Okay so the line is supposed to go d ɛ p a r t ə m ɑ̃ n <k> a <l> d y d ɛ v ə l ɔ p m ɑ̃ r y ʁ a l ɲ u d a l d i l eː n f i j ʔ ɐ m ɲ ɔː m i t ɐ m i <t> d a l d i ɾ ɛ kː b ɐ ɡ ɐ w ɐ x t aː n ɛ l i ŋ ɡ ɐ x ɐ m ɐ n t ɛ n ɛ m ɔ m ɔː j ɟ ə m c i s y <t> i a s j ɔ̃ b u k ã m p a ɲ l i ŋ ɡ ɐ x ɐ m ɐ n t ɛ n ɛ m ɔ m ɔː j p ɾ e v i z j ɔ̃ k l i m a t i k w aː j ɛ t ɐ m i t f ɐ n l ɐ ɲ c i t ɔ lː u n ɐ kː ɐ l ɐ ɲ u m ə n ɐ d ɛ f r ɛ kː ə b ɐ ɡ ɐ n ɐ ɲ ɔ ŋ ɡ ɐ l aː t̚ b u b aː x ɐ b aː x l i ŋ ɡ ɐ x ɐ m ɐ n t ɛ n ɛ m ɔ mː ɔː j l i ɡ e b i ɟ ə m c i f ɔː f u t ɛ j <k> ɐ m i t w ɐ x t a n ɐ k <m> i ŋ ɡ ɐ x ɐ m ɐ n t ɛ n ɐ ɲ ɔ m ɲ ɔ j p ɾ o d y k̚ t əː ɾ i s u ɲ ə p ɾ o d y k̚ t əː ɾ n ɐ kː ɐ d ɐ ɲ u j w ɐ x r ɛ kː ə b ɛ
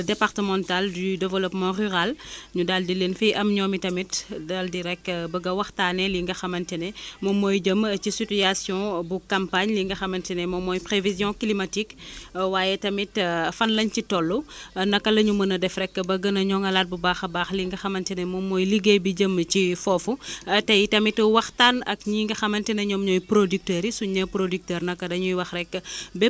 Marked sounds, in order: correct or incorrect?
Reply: incorrect, correct, correct, correct, incorrect, incorrect

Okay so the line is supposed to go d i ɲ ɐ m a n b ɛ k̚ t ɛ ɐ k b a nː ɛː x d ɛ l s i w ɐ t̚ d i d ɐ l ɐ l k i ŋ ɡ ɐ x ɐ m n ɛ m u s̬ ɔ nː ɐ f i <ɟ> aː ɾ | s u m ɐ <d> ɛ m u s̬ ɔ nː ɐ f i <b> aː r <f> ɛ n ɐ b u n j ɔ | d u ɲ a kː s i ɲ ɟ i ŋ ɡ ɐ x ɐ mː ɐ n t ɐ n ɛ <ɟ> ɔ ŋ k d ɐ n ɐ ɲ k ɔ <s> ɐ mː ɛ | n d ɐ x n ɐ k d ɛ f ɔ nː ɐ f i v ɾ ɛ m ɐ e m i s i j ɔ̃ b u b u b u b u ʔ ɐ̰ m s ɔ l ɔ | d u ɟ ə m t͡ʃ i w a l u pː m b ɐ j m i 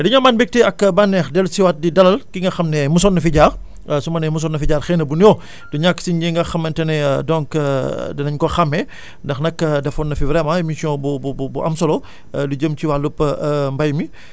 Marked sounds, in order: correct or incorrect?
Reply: correct, incorrect, incorrect, incorrect, incorrect, incorrect

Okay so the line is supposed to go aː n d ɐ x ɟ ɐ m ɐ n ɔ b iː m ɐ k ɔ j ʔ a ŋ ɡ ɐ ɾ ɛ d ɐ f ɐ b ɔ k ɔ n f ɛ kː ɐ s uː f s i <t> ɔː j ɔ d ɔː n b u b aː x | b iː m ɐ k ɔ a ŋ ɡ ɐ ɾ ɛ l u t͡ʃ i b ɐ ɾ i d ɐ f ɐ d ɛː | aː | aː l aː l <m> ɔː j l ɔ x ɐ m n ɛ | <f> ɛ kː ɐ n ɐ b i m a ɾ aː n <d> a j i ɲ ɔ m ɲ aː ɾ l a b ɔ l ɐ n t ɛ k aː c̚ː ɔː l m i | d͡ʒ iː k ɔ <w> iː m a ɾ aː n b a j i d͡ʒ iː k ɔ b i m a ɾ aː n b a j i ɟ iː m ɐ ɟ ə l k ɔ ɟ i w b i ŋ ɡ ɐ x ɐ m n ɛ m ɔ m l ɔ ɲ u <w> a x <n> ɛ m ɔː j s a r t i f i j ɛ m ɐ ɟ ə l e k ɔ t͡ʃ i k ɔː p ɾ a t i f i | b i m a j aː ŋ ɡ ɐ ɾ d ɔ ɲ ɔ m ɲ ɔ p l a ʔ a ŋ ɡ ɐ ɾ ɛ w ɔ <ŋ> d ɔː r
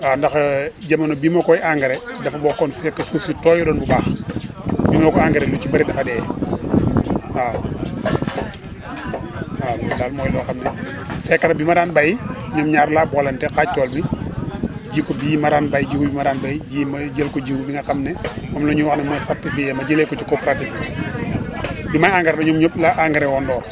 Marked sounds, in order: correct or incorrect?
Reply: correct, correct, correct, incorrect, incorrect, correct, correct, incorrect

